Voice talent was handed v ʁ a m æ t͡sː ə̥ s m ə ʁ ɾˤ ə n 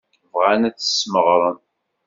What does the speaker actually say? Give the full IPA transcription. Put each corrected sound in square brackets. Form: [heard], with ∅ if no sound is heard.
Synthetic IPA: v ʁ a [n] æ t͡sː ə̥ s m ə ʁ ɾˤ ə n